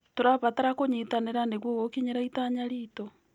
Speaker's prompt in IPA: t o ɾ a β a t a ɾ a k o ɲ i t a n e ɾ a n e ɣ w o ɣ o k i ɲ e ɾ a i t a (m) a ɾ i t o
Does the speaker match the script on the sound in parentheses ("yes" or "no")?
no